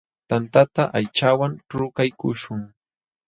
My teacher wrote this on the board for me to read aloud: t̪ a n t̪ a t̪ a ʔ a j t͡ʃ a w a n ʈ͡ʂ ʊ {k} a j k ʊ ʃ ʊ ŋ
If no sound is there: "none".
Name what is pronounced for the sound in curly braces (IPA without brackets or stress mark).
k